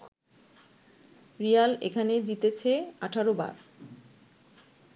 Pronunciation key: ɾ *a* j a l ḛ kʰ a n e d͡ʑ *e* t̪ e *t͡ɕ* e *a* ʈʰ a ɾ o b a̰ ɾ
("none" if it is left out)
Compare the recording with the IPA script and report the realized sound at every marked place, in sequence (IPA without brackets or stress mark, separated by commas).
i, i, t͡ɕʰ, a